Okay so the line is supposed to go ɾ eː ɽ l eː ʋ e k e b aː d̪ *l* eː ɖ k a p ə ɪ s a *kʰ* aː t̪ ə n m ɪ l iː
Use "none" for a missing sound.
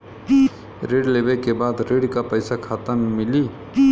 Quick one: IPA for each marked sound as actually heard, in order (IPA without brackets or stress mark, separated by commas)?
ɾ, kʰ